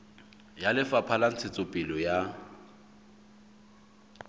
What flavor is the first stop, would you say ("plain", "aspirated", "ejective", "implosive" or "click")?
aspirated